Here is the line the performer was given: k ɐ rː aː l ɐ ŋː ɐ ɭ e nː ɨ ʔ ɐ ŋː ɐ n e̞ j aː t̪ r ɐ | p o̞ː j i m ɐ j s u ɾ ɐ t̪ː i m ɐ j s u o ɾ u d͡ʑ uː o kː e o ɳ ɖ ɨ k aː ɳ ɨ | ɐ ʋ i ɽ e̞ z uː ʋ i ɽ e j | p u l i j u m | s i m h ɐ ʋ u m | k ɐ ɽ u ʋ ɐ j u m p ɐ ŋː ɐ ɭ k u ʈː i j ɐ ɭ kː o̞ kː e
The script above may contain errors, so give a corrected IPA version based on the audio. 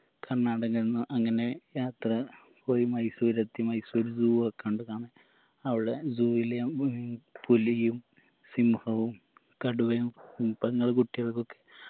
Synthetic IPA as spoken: k ɐ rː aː ɽ ɐ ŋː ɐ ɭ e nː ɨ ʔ ɐ ŋː ɐ n e̞ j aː t̪ r ɐ | p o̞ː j i m ɐ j s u ɾ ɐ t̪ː i m ɐ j s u o ɾ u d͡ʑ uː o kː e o ɳ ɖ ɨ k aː ɳ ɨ | ɐ ʋ i ɽ e̞ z uː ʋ i l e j | p u l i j u m | s i m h ɐ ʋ u m | k ɐ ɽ u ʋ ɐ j u m p ɐ ŋː ɐ ɭ k u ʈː i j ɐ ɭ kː o̞ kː e